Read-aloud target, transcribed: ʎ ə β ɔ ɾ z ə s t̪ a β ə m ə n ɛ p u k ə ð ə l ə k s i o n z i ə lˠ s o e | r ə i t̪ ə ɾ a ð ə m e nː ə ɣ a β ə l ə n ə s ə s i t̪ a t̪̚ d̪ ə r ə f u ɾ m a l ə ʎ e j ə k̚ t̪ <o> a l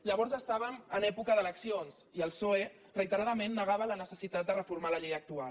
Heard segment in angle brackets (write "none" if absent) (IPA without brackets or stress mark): u